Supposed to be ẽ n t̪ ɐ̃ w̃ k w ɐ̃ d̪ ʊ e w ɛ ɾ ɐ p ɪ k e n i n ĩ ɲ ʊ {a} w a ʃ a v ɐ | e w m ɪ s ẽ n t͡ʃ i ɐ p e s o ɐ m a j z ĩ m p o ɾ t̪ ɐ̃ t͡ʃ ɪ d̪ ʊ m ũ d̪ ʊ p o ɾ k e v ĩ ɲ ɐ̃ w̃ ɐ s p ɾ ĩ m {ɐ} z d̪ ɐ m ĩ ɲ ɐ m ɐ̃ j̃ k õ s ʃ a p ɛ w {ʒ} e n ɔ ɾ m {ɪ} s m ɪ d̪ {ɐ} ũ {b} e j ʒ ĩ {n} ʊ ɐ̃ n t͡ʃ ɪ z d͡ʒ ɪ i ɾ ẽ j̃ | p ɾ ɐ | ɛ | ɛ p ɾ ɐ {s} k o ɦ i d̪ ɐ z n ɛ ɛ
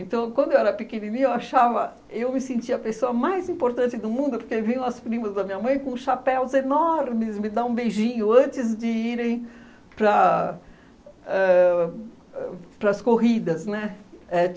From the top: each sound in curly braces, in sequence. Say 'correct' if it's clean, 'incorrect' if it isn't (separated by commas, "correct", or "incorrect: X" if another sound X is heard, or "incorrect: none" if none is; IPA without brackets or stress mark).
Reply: incorrect: e, correct, incorrect: z, correct, incorrect: a, correct, incorrect: ɲ, correct